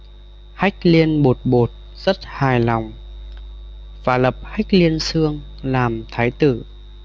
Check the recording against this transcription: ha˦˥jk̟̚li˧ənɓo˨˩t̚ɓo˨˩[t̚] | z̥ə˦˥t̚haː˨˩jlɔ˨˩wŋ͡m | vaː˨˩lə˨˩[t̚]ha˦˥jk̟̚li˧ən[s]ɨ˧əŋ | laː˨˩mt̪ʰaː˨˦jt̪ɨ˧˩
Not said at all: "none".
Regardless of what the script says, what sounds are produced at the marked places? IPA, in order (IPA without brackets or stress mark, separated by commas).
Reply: t̚, p̚, s